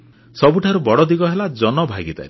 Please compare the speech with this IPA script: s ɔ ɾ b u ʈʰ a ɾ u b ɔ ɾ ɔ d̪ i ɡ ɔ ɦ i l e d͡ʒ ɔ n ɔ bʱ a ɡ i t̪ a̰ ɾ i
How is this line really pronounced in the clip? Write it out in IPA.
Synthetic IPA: s ɔ b u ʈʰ a ɾ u b ɔ ɽ ɔ d̪ i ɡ ɔ ɦ e l a d͡ʒ ɔ n ɔ bʱ a ɡ i t̪ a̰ ɾ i